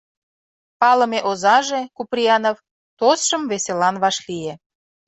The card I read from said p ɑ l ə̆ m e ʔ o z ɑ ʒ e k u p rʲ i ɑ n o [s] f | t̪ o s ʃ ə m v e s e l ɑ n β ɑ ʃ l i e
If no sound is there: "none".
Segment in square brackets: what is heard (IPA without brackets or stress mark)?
none